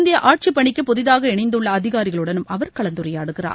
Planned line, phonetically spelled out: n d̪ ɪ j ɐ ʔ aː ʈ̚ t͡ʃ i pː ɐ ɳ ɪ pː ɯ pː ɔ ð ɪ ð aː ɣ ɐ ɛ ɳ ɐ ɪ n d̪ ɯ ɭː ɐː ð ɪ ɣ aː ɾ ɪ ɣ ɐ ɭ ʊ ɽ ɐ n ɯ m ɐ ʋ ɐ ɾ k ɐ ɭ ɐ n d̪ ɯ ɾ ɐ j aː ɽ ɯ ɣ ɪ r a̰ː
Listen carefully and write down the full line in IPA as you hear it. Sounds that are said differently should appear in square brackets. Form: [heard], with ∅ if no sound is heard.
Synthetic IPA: n d̪ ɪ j ɐ ʔ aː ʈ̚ t͡ʃ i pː ɐ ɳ ɪ [kː] ɯ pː ɔ ð ɪ ð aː ɣ ɐ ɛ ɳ ɐ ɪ n d̪ ɯ ɭː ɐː ð ɪ ɣ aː ɾ ɪ ɣ ɐ ɭ [ɯ] ɽ ɐ n ɯ m ɐ ʋ ɐ ɾ k ɐ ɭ ɐ n d̪ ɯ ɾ ɐ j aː ɽ ɯ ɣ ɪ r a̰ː